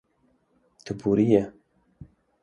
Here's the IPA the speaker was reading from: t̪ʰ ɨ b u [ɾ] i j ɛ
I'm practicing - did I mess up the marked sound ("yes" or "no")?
no